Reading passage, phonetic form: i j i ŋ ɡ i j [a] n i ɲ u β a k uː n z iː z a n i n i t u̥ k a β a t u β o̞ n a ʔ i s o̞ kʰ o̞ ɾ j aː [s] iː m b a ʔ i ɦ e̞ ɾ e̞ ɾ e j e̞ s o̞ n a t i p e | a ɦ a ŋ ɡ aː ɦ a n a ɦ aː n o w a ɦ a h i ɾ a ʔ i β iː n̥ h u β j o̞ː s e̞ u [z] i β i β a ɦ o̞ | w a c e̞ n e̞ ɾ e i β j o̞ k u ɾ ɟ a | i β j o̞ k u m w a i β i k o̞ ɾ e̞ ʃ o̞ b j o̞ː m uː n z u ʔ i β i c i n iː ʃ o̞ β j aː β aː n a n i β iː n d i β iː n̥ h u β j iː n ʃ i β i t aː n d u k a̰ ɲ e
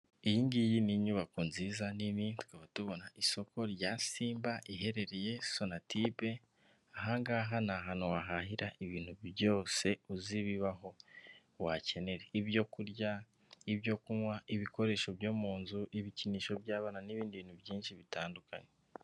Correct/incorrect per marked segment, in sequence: incorrect, correct, correct

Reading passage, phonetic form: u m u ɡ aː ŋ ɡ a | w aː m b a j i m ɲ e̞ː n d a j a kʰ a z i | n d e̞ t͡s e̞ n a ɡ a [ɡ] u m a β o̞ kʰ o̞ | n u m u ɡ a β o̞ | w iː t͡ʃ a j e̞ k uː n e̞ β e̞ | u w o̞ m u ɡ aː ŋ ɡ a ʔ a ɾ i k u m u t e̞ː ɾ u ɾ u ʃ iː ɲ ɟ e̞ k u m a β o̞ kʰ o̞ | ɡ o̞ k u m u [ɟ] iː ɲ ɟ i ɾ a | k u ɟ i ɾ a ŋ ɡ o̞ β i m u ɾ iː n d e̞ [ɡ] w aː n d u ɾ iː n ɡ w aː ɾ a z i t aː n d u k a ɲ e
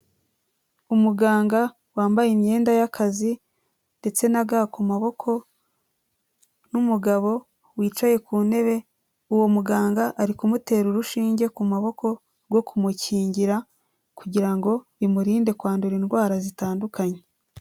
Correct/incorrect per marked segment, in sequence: incorrect, incorrect, incorrect

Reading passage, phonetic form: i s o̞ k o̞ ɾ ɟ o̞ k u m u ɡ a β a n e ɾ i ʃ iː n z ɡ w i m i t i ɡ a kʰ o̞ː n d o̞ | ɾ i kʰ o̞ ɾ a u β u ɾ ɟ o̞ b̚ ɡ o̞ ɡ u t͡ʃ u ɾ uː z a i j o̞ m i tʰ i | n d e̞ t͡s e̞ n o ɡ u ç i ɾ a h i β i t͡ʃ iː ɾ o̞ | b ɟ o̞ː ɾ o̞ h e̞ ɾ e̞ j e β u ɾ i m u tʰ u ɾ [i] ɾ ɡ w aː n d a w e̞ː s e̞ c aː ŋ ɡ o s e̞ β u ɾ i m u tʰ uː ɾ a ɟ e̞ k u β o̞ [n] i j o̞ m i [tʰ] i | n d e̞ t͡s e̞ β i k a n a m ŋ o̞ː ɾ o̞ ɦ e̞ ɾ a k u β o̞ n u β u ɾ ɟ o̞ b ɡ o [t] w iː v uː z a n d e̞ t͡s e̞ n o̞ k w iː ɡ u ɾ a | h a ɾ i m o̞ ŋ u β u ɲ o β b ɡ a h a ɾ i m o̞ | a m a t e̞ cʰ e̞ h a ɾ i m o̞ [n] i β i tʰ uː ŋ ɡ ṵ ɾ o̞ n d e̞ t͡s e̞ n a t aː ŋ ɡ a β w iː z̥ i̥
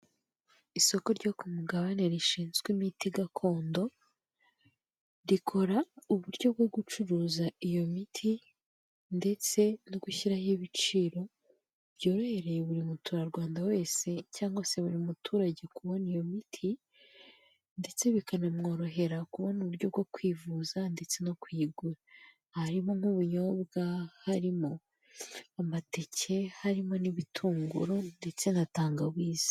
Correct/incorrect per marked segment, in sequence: incorrect, correct, correct, incorrect, correct

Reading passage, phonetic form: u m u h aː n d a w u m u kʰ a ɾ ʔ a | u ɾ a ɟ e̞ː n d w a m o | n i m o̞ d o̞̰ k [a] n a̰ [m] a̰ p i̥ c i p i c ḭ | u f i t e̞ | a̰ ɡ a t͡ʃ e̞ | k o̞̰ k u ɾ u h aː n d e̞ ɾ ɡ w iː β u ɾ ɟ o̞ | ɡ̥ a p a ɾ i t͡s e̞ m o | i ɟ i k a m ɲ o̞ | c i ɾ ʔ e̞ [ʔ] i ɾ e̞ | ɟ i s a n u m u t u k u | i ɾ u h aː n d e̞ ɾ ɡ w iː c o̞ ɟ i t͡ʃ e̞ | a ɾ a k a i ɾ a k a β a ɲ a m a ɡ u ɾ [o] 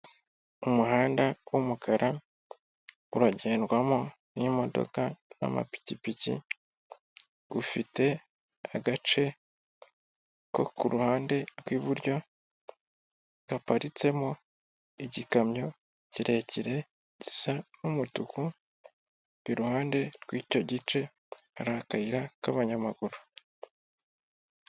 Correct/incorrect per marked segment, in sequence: correct, correct, incorrect, incorrect

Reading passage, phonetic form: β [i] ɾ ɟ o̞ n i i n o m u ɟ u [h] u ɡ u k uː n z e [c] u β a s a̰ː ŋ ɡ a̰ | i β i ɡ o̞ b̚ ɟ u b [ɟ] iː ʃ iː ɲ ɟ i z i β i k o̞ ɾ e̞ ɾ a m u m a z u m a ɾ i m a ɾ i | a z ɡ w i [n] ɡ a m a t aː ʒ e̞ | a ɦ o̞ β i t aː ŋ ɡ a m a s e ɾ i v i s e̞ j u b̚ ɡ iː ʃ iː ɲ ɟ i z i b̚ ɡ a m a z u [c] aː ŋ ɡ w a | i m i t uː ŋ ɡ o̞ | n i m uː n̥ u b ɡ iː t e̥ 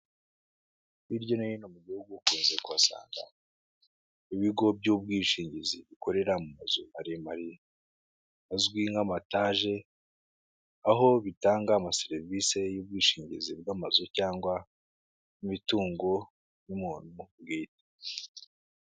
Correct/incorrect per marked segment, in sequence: correct, correct, incorrect, incorrect, incorrect, correct

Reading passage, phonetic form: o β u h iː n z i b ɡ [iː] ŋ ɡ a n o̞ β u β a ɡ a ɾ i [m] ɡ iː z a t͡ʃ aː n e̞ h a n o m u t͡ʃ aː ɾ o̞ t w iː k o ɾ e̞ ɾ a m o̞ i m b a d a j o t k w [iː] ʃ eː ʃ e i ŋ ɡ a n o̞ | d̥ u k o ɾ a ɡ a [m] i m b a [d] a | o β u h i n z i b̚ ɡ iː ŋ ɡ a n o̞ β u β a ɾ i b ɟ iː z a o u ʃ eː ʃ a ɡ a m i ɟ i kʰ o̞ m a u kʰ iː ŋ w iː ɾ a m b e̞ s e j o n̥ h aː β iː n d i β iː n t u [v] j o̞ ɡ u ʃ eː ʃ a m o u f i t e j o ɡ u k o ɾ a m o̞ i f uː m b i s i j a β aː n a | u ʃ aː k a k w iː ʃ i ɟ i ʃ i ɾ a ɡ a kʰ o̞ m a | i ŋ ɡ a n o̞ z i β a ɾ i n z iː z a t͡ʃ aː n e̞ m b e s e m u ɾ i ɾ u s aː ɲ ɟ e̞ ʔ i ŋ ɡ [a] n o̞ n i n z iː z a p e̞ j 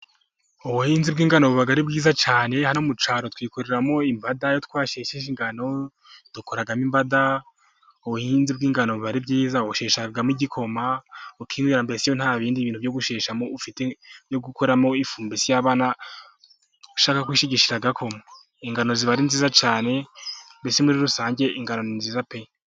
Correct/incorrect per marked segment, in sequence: correct, incorrect, incorrect, correct, correct, correct, correct

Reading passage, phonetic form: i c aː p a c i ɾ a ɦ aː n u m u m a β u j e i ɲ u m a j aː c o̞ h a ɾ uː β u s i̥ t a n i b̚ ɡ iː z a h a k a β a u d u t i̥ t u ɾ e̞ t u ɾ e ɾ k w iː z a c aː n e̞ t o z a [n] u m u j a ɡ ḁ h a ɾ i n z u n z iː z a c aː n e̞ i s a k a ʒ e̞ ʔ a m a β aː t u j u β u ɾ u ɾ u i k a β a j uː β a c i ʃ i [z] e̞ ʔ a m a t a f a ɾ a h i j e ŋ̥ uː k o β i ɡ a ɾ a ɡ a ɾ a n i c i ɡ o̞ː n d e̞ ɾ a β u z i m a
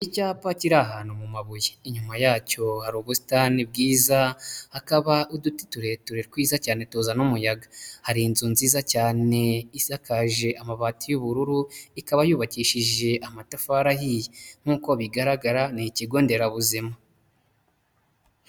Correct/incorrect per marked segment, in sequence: correct, incorrect

